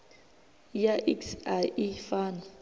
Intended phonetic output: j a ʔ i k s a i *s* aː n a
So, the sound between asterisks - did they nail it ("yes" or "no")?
no